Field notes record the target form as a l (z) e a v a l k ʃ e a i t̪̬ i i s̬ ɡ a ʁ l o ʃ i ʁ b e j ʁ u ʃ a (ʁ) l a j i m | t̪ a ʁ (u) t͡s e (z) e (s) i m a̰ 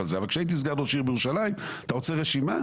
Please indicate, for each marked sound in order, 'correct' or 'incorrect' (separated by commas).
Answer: correct, incorrect, incorrect, incorrect, incorrect